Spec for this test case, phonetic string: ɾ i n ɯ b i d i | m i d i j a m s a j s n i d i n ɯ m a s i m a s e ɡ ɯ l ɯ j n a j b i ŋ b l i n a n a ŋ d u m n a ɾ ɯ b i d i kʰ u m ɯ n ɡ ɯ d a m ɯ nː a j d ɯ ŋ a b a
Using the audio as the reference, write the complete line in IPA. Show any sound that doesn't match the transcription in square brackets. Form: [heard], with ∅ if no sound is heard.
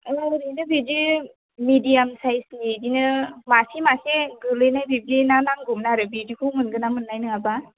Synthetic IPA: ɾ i n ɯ b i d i | m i d i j a m s a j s n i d i n ɯ m a s i m a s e ɡ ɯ l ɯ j n a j b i [∅] b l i n a n a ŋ [ɡ] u m n a ɾ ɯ b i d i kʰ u m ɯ n ɡ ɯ [n] a m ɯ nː a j [n] ɯ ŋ a b a